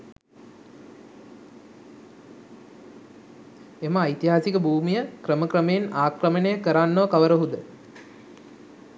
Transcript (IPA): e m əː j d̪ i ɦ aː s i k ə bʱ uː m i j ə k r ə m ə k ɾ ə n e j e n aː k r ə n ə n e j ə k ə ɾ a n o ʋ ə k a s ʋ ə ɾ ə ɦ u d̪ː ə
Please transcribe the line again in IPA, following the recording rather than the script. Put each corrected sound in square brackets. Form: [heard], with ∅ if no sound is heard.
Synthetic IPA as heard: e m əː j [t̪] i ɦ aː s i k ə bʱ uː m i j ə k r ə m ə k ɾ ə [m] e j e n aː k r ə [m] ə n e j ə k ə ɾ a [nː] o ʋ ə k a [∅] ʋ ə ɾ ə ɦ u [d̪] ə

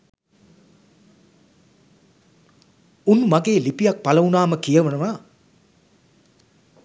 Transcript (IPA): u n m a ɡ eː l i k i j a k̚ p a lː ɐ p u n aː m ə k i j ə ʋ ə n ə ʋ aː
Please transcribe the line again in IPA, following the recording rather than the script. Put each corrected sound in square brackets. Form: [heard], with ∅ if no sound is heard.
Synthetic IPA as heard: u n m a ɡ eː l i [p] i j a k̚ p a [l] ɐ [∅] u n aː m ə k i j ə ʋ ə n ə ʋ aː

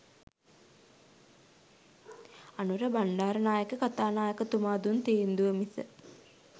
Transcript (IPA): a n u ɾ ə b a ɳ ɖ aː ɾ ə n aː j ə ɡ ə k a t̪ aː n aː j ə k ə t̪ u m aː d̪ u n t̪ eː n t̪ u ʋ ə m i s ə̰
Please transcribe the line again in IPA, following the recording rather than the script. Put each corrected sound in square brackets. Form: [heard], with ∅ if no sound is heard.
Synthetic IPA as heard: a n u ɾ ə b a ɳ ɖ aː ɾ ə n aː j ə [k] ə k a t̪ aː n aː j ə k ə t̪ u m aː d̪ u n t̪ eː n [d̪] u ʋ ə m i s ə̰

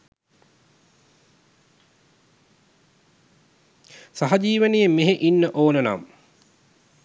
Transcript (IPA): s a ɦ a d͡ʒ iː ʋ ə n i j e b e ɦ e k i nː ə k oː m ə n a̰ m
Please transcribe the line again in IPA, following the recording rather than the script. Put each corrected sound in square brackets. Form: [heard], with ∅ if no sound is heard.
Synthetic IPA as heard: s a ɦ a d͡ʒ iː ʋ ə n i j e [m] e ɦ e [ʔ] i nː ə [ʔ] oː [n] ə n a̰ m

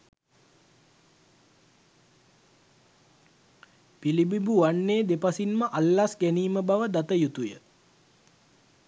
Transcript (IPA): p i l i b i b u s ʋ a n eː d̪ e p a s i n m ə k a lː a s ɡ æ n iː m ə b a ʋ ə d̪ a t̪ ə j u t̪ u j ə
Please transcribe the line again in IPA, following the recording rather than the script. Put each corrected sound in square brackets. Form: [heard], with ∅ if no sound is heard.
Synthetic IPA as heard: p i l i b i b u [∅] ʋ a [nː] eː d̪ e p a s i n m ə [ʔ] a lː a s ɡ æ n iː m ə b a ʋ ə d̪ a t̪ ə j u t̪ u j ə

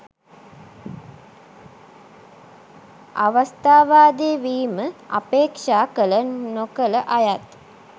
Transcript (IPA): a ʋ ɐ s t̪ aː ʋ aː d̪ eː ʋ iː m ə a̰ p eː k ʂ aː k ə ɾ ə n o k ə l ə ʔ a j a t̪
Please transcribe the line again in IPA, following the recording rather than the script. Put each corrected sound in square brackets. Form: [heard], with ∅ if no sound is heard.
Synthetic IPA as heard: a ʋ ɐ s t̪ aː ʋ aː d̪ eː ʋ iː m ə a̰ p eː k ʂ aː k ə [l] ə n o k ə l ə ʔ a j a t̪

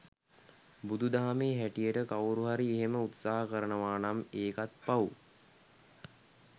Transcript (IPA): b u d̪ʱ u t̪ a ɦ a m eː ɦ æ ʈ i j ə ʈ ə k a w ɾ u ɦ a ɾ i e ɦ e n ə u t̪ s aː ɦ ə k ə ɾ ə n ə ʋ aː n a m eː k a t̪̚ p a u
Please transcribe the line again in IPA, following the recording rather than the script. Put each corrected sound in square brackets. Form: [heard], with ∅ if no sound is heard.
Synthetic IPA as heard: b u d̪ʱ u [d̪] a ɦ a m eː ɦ æ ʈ i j ə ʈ ə k a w ɾ u ɦ a ɾ i e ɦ e [m] ə u t̪ s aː ɦ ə k ə ɾ ə n ə ʋ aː n a m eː k a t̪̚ p a u

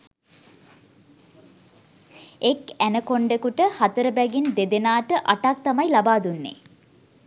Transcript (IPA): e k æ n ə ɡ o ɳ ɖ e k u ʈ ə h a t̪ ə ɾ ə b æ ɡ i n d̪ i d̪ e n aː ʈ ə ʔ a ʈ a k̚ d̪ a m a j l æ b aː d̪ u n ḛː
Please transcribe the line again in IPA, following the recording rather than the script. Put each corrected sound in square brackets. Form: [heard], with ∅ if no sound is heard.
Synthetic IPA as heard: e k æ n ə [k] o ɳ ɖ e k u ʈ ə h a t̪ ə ɾ ə b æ ɡ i n d̪ [e] d̪ e n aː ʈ ə ʔ a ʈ a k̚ [t̪] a m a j l [a] b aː d̪ u [nː] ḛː

